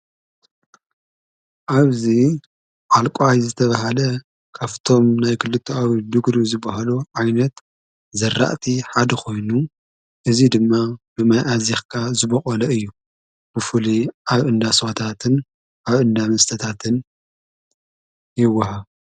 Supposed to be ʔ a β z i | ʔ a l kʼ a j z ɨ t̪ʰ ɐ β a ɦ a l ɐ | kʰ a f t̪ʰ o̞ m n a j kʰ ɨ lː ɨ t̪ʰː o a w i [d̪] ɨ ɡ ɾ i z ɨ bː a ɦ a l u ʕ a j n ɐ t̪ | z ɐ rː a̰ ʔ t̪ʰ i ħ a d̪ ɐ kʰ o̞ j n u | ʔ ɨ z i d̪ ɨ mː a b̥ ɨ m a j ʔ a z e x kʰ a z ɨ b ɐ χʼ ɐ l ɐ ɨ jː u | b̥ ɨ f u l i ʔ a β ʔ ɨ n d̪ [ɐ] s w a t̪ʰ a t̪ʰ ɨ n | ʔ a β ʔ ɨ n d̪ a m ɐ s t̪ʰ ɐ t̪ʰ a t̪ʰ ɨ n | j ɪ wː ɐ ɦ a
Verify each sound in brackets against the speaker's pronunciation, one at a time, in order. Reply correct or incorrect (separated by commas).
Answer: correct, incorrect